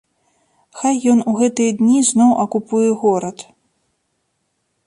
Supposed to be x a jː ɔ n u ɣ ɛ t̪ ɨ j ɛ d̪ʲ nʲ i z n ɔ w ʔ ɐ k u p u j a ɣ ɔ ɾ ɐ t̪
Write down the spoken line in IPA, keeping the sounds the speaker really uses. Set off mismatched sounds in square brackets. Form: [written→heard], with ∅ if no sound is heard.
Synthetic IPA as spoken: x a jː ɔ n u ɣ ɛ t̪ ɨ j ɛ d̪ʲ nʲ i z n ɔ w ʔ ɐ k u p u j [a→ɛ] ɣ ɔ ɾ ɐ t̪